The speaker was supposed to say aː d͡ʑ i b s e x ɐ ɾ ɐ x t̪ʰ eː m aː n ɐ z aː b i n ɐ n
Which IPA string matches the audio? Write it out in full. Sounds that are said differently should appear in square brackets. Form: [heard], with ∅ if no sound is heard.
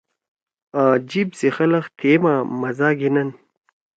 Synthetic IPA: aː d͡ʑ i b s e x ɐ [l] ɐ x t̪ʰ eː m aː [m] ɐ z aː [ɡ] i n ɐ n